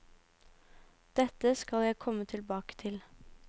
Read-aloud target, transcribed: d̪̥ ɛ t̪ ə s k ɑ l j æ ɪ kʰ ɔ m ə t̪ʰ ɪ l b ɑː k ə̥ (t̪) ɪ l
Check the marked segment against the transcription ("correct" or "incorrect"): incorrect